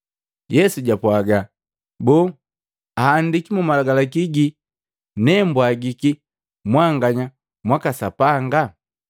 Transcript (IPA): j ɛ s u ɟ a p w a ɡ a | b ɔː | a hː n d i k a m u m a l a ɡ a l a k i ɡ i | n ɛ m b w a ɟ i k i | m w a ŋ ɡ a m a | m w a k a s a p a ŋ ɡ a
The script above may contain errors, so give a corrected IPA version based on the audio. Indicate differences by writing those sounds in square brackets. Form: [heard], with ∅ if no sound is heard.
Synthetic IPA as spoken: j ɛ s u ɟ a p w a ɡ a | b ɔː | a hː n d i k [i] m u m a l a ɡ a l a k i ɡ i | n ɛ m b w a [ɡ] i k i | m w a ŋ ɡ a [ɲ] a | m w a k a s a p a ŋ ɡ a